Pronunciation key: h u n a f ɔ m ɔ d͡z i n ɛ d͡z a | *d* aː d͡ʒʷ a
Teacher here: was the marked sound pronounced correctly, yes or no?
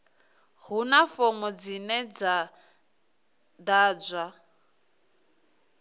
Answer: yes